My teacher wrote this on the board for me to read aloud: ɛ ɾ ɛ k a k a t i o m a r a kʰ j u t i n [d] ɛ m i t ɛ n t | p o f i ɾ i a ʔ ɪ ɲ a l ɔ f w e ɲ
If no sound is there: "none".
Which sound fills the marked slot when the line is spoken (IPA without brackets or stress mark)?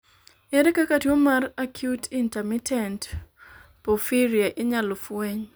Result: t